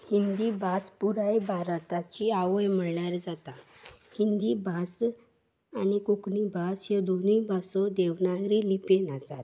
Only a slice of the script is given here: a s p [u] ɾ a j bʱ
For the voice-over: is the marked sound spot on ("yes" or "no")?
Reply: yes